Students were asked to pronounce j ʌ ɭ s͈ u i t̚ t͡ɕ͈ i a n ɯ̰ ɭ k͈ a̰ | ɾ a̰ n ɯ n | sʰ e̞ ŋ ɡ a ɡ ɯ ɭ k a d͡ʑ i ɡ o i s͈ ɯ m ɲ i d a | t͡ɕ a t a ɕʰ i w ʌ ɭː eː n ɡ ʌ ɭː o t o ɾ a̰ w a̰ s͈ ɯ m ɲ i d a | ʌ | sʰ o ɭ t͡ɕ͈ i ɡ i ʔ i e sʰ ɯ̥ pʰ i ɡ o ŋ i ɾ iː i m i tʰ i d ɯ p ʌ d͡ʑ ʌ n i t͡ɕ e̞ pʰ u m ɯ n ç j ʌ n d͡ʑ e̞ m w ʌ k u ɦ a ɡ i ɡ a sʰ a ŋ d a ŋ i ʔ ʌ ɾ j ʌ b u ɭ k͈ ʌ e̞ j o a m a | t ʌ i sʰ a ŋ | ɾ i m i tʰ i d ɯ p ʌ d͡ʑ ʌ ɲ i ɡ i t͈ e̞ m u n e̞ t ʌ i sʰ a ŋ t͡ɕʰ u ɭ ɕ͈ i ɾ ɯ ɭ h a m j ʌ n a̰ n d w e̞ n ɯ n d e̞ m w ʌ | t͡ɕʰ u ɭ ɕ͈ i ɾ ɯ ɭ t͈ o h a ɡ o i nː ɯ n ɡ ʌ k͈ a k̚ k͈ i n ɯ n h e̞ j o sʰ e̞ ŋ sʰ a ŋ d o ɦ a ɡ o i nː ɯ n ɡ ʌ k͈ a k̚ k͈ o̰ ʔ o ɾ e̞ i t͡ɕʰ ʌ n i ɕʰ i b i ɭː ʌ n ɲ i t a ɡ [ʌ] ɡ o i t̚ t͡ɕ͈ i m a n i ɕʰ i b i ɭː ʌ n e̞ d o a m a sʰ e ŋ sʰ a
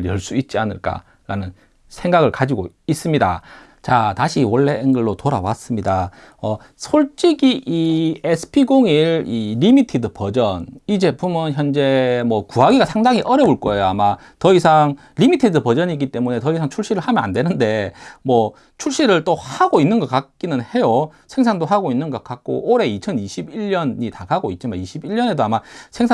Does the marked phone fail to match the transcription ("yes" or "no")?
yes